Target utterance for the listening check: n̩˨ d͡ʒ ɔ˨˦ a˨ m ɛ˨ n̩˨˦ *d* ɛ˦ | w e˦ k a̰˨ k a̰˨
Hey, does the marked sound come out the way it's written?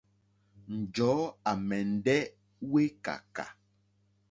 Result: yes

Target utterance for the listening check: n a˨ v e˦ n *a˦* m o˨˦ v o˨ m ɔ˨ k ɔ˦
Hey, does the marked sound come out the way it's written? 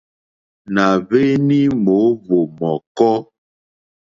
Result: no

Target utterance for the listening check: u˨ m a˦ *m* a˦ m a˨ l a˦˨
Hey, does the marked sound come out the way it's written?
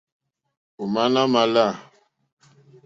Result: no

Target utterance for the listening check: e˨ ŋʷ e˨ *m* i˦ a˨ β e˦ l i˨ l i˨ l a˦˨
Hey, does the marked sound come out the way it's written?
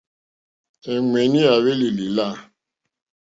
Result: no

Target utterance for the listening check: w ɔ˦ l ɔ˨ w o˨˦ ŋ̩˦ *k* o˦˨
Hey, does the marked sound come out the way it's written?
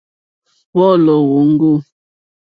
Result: no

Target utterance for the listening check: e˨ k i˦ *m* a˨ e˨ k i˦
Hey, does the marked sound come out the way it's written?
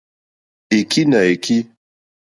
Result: no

